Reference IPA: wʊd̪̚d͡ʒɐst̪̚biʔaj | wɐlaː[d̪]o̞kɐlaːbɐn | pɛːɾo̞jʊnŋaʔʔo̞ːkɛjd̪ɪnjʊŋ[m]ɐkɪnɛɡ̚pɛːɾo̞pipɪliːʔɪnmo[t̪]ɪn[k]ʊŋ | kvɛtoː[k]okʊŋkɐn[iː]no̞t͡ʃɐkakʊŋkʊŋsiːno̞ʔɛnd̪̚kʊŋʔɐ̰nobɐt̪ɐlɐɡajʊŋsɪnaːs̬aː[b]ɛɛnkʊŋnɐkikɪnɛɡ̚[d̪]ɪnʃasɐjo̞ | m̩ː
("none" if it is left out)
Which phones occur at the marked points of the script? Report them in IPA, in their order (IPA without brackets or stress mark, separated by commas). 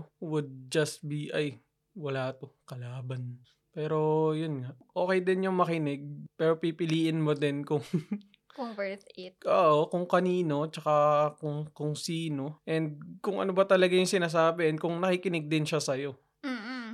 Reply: t̪, m, d̪, k, ʔ, iː, b, d̪